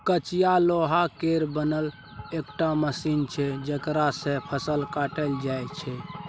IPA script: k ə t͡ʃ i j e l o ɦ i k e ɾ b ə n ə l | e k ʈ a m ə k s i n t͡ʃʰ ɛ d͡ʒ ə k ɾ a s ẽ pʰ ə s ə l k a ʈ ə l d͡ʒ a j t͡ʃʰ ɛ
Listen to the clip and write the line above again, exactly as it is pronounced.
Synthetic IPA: k ə t͡ʃ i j a l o ɦ a k e ɾ b ə n ə l | e k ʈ a m ə s i n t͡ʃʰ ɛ d͡ʒ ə k ɾ a s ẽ pʰ ə s ə l k a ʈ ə l d͡ʒ a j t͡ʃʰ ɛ